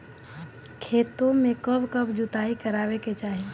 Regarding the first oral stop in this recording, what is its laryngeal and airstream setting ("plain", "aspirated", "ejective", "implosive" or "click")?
aspirated